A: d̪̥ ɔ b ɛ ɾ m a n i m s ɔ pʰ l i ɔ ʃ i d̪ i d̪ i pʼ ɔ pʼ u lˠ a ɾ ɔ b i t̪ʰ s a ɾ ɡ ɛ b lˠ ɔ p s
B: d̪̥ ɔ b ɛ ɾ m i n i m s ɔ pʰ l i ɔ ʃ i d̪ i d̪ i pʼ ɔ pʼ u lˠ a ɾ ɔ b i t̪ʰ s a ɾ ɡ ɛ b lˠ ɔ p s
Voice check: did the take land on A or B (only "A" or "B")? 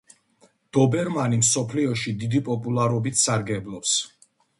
A